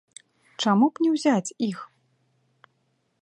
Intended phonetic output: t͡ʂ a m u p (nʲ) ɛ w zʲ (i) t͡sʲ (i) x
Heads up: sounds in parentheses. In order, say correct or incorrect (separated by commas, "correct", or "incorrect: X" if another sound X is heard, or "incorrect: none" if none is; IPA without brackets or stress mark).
correct, incorrect: a, correct